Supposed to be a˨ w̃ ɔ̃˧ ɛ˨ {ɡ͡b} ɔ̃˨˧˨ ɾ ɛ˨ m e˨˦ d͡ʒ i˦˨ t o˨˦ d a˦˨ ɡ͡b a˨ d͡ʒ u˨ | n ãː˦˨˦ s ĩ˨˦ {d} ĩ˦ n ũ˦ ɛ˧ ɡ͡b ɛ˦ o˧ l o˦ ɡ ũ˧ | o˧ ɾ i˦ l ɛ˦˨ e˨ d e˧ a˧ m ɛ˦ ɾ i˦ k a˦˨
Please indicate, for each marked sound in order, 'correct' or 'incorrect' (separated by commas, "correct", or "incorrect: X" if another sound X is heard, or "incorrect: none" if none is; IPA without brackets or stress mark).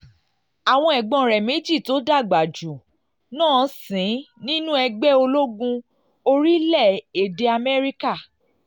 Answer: correct, incorrect: n